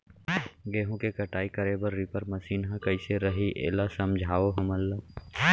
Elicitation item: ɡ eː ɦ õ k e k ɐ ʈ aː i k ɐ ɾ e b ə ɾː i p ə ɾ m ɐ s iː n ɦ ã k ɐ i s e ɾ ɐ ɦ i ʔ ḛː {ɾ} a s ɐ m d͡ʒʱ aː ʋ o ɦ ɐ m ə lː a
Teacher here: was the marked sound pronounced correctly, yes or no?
no